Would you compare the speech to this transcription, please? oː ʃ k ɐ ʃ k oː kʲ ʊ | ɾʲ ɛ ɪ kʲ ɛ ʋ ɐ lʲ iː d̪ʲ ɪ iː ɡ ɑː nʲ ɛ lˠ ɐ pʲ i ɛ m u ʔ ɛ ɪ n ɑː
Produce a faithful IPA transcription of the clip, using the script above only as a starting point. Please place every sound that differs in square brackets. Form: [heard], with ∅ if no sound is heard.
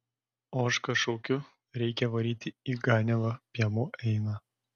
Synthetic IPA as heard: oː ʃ k ɐ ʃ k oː kʲ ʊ | ɾʲ ɛ ɪ kʲ ɛ ʋ ɐ [ɾʲ] iː [t̪ʲ] ɪ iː ɡ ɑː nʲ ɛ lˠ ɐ pʲ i ɛ m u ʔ ɛ ɪ n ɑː